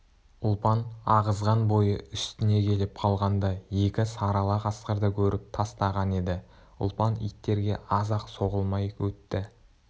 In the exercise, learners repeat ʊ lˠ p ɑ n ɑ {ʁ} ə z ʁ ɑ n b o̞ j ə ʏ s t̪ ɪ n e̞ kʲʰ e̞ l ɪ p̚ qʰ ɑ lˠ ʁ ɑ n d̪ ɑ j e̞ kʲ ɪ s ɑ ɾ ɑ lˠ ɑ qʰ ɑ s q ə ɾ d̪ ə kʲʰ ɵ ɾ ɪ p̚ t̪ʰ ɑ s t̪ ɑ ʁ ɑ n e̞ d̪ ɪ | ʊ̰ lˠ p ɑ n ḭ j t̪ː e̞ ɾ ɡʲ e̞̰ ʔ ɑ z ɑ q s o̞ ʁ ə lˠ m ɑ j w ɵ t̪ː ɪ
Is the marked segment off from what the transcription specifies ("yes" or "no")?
no